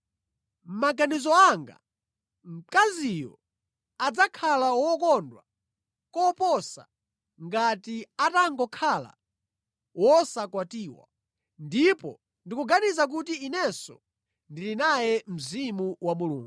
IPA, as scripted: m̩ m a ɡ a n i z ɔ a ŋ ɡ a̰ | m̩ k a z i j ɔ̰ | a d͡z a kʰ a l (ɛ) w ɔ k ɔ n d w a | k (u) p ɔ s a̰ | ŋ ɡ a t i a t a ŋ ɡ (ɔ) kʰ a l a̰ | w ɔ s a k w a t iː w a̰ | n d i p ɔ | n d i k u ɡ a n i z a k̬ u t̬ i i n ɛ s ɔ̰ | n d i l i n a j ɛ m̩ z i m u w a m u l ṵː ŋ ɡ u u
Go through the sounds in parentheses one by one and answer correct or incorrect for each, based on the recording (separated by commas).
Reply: incorrect, incorrect, correct